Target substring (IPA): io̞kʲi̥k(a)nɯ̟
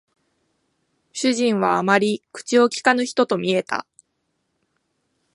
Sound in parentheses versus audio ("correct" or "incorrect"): correct